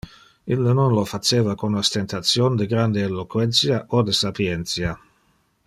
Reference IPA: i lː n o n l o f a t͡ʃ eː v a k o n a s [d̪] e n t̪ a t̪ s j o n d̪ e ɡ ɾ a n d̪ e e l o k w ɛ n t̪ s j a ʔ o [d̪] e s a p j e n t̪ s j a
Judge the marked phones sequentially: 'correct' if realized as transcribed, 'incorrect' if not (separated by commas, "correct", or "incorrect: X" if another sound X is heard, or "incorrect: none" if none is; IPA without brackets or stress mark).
incorrect: t̪, correct